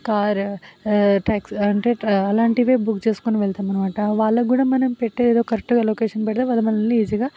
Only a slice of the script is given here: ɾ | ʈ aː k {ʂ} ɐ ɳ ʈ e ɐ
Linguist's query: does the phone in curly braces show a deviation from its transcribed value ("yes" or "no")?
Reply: yes